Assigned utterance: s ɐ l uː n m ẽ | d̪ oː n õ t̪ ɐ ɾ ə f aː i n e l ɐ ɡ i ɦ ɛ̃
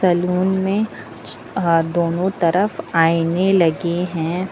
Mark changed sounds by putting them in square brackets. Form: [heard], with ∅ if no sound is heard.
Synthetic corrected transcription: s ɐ l uː n m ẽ | d̪ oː n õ t̪ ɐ ɾ ə f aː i n e l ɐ ɡ [e] ɦ ɛ̃